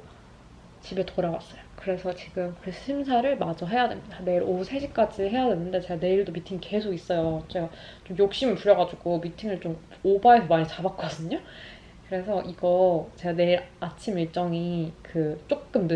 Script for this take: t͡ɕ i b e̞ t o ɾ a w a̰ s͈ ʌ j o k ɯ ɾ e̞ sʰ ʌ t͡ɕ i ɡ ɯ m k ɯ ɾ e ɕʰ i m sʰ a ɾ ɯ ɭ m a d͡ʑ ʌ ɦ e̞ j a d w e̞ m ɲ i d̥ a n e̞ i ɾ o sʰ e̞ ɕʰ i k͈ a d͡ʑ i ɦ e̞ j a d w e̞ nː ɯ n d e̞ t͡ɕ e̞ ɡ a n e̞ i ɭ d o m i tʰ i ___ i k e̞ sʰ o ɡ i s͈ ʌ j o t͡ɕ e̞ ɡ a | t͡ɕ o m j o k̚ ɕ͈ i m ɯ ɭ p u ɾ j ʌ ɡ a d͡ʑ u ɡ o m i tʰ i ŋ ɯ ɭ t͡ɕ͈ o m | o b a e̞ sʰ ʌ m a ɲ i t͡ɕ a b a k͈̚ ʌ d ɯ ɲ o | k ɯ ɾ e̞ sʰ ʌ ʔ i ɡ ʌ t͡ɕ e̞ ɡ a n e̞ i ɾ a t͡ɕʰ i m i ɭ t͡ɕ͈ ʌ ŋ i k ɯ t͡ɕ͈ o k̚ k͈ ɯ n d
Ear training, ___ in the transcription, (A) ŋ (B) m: A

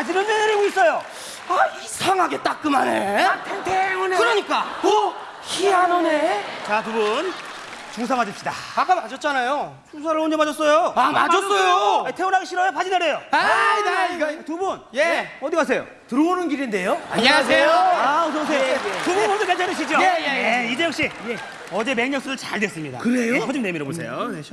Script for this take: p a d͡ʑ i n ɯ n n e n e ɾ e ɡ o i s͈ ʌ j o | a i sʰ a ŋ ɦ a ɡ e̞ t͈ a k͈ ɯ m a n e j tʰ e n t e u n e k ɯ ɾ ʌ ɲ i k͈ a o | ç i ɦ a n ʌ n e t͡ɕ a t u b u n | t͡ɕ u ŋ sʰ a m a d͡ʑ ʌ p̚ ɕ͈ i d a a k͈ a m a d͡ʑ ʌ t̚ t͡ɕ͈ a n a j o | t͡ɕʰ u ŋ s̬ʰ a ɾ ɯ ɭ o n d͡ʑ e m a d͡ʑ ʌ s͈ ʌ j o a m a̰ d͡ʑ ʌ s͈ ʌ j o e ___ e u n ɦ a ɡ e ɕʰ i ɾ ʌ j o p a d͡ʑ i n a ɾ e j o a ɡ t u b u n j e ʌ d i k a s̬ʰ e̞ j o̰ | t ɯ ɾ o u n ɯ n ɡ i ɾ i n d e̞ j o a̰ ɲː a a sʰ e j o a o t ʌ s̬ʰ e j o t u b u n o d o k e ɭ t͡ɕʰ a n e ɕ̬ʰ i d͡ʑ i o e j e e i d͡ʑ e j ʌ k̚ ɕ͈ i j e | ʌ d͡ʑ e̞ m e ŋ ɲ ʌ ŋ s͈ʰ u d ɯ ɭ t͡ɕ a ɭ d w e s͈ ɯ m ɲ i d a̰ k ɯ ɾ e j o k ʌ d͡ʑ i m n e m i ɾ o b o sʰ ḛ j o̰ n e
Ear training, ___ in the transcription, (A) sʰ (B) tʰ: B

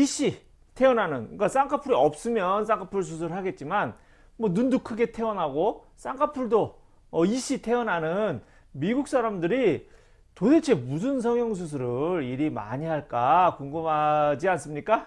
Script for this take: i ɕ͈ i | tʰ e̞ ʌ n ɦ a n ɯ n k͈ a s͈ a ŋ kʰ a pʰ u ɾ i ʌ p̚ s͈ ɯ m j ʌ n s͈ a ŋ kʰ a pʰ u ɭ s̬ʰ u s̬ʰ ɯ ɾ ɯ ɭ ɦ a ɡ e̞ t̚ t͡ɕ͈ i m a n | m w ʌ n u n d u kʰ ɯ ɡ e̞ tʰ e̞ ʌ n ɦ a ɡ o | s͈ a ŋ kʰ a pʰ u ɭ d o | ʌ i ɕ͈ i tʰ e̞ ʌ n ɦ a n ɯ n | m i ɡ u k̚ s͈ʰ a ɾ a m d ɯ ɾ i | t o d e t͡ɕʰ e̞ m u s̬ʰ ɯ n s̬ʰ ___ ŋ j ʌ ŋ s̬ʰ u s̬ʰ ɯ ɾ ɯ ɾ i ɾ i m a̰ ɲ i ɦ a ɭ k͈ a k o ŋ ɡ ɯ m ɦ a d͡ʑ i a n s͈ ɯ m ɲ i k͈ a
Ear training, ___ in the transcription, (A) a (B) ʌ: B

